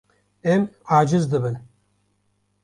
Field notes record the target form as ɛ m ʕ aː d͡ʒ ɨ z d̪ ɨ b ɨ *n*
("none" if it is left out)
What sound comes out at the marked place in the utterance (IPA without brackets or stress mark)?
n